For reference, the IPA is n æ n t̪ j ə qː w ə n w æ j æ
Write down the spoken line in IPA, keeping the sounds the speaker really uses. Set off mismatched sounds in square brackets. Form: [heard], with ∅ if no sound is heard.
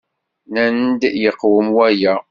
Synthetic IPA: n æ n [d̪] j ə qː w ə [m] w æ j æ